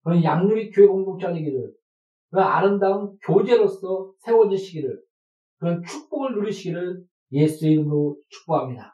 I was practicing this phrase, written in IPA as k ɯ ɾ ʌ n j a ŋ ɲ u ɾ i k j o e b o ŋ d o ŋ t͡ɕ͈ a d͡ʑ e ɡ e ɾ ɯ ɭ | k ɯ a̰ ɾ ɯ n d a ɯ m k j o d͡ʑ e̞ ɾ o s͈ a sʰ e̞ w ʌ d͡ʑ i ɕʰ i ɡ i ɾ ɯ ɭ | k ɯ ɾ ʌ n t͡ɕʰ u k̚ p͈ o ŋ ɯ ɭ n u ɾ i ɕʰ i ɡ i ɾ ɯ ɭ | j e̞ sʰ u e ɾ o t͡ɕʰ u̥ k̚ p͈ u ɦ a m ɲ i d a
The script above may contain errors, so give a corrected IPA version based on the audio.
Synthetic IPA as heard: k ɯ ɾ ʌ n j a ŋ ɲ u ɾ i k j o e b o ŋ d o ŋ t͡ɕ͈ a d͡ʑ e ɡ i ɾ ɯ ɭ | k ɯ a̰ ɾ ɯ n d a ɯ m k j o d͡ʑ e̞ ɾ o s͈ ʌ sʰ e̞ w ʌ d͡ʑ i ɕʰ i ɡ i ɾ ɯ ɭ | k ɯ ɾ ʌ n t͡ɕʰ u k̚ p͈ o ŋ ɯ ɭ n u ɾ i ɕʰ i ɡ i ɾ ɯ ɭ | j e̞ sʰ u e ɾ o t͡ɕʰ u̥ k̚ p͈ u ɦ a m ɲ i d a